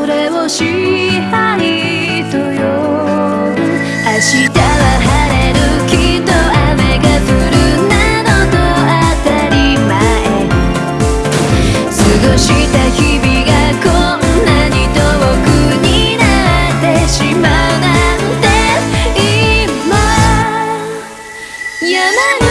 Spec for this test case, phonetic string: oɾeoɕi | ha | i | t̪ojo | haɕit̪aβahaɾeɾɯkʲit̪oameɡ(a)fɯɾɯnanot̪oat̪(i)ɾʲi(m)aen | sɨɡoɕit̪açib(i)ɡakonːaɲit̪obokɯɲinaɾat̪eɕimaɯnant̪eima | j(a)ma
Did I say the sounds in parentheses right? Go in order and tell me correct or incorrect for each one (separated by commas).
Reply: correct, incorrect, correct, correct, correct